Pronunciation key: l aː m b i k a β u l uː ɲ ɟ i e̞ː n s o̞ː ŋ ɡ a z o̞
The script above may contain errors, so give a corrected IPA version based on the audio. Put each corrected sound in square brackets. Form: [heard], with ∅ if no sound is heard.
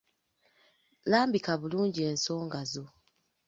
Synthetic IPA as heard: l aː m b i k a β u l uː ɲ ɟ i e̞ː n s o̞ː ŋ ɡ a z o̞